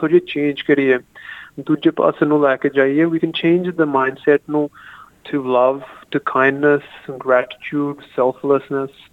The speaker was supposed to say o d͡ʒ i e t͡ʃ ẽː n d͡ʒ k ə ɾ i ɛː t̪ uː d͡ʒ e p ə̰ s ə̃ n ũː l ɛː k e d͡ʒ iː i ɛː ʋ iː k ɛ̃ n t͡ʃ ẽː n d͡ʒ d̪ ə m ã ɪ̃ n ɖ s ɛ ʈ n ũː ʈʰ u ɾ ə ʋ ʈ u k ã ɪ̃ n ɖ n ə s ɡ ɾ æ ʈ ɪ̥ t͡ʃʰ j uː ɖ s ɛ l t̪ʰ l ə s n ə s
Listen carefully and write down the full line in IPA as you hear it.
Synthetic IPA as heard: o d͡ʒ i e t͡ʃ ẽː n d͡ʒ k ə ɾ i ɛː d̪ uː d͡ʒ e p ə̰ s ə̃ n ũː l ɛː k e d͡ʒ aː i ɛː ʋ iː k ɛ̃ n t͡ʃ ẽː n d͡ʒ d̪ ə m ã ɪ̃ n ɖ s ɛ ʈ n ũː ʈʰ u l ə ʋ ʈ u kʰ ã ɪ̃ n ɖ n ə s ɡ ɾ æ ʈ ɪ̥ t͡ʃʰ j uː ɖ s ɛ l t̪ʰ l ə s n ə s